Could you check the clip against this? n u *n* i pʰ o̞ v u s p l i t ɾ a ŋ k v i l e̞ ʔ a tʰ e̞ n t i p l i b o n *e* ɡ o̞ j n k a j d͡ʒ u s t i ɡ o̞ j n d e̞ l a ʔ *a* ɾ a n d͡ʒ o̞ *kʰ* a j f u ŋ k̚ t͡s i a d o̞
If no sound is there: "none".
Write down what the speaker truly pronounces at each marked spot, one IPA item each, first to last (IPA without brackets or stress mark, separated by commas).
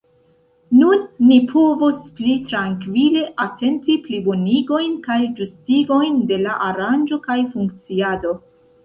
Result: nː, i, a, k